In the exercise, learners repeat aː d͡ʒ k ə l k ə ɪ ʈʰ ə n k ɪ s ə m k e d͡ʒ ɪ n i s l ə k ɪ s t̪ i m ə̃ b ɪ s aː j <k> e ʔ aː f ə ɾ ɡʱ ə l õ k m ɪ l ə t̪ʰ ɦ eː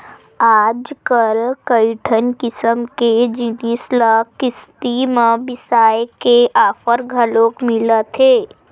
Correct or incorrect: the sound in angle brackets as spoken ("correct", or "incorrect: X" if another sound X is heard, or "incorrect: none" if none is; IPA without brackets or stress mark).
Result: correct